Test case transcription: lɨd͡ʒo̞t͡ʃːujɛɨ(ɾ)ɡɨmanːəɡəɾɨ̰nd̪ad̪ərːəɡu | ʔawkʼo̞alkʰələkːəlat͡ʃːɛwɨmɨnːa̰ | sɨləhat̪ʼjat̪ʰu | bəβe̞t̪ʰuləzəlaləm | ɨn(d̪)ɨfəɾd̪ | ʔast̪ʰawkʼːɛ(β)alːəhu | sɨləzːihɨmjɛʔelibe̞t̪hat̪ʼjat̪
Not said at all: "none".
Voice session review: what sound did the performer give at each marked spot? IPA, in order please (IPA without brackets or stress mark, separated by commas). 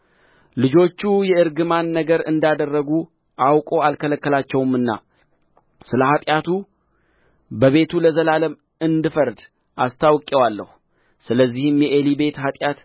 ɾ, d̪, w